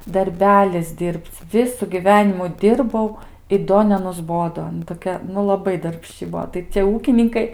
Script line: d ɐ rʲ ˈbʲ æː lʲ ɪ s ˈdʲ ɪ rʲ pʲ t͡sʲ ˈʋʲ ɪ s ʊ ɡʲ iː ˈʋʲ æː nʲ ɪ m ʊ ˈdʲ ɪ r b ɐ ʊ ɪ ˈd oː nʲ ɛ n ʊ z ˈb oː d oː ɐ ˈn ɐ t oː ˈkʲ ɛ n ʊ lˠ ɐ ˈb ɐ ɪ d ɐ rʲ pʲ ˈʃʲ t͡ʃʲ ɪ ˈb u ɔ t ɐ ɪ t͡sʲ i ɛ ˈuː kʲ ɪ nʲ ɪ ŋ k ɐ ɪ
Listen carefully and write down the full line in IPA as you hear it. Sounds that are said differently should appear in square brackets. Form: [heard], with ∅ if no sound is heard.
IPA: d ɐ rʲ ˈbʲ æː lʲ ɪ s ˈdʲ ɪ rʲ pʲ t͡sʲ ˈʋʲ ɪ s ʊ ɡʲ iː ˈʋʲ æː nʲ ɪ m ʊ ˈdʲ ɪ r b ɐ ʊ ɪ ˈd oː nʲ ɛ n ʊ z ˈb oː d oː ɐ ˈn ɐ t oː ˈkʲ ɛ n ʊ lˠ ɐ ˈb ɐ ɪ d ɐ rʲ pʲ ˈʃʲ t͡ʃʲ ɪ ˈb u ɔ t ɐ ɪ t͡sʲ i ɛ ˈuː kʲ ɪ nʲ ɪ ŋ k ɐ ɪ